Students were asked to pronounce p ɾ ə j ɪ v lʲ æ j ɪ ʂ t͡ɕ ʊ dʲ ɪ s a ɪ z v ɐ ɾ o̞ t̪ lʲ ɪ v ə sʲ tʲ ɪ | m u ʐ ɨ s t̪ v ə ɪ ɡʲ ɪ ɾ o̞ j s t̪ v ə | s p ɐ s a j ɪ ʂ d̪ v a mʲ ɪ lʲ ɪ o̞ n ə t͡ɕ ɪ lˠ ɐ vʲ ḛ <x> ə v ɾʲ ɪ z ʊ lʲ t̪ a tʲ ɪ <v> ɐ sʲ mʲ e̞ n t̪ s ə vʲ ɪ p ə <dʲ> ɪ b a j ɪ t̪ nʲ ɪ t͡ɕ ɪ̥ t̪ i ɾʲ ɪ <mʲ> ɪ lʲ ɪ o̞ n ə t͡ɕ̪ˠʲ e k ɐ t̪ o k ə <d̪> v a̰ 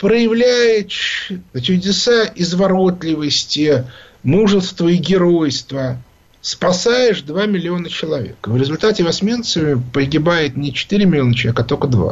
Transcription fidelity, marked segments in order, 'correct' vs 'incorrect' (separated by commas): incorrect, correct, incorrect, correct, correct